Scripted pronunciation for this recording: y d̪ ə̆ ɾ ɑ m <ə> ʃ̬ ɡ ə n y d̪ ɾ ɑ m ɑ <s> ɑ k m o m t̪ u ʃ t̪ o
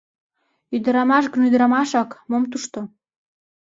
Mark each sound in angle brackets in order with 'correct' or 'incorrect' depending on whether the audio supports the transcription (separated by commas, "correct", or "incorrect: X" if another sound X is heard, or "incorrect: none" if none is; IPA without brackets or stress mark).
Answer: incorrect: ɑ, incorrect: ʃ